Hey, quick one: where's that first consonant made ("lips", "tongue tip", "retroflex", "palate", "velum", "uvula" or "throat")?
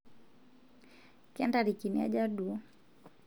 velum